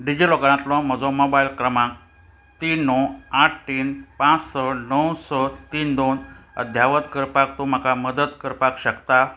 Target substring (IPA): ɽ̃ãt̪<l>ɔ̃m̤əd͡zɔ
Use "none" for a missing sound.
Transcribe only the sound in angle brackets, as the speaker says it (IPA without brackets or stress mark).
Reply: l